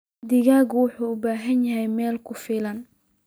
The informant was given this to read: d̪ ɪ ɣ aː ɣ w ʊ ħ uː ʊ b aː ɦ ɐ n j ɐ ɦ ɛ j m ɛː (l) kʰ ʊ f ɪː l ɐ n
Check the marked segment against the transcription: correct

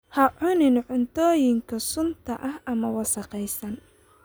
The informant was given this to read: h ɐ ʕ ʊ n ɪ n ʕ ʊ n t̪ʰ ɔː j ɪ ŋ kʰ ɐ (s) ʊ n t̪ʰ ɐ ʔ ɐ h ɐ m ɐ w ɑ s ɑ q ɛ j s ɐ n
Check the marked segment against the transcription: correct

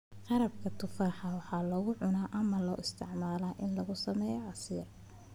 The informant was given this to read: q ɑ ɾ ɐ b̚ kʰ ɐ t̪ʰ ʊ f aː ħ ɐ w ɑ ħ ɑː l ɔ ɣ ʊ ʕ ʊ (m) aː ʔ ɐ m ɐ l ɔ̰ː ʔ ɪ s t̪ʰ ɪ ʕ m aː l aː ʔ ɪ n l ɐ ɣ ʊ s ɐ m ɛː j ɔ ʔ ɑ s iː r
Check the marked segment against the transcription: incorrect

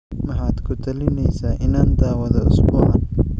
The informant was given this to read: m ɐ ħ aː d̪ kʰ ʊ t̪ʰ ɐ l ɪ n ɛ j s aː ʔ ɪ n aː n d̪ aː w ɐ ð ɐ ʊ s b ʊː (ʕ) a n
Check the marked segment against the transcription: correct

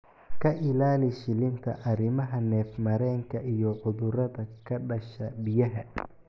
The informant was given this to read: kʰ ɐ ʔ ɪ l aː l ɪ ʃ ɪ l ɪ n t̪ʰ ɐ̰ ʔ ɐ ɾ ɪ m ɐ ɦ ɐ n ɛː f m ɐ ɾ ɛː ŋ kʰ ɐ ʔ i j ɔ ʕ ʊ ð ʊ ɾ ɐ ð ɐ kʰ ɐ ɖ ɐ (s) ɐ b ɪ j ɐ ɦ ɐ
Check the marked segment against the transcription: incorrect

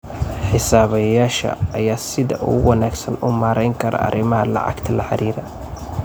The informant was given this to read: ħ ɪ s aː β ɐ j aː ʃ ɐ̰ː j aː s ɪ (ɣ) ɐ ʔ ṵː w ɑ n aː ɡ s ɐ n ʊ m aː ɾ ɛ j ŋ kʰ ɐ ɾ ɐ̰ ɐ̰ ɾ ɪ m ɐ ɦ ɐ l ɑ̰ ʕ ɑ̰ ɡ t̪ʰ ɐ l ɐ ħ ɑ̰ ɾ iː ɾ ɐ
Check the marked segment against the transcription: incorrect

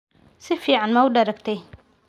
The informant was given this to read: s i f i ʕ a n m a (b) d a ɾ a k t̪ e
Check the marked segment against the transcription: incorrect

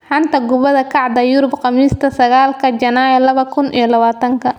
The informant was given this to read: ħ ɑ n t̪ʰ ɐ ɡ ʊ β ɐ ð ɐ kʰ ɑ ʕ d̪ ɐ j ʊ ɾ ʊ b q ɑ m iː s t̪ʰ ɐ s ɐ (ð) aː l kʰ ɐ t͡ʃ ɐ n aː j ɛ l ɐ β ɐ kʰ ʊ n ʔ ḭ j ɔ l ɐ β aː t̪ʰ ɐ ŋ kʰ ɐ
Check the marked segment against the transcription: incorrect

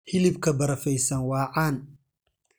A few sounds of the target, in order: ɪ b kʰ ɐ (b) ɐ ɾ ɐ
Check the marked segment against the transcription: correct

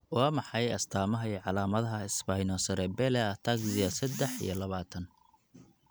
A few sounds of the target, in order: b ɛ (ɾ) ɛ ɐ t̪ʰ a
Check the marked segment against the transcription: incorrect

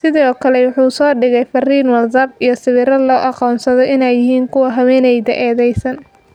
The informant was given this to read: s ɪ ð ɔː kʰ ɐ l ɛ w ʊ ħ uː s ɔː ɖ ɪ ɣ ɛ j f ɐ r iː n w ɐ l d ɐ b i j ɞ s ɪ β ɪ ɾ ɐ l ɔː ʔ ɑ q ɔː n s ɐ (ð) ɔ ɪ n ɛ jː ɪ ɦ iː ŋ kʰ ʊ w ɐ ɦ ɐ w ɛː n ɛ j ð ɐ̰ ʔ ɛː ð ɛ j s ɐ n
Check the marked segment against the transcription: correct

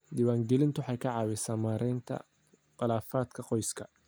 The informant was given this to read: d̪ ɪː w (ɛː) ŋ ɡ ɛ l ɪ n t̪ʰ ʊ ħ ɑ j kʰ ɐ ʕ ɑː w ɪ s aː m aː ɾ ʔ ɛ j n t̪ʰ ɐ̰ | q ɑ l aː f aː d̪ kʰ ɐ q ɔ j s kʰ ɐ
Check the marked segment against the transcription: incorrect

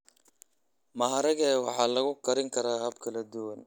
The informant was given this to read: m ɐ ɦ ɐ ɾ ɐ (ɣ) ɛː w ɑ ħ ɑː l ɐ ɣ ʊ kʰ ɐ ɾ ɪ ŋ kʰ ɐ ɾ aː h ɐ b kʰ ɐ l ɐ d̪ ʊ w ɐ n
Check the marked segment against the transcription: correct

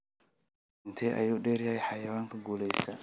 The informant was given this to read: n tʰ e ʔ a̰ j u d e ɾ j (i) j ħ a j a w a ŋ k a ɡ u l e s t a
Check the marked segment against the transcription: incorrect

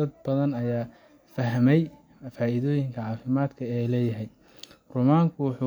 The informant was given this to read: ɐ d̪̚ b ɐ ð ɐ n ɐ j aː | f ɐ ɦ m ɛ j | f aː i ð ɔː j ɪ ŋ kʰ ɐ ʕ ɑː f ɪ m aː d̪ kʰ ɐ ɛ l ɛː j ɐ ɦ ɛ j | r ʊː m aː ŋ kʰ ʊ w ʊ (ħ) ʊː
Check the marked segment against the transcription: correct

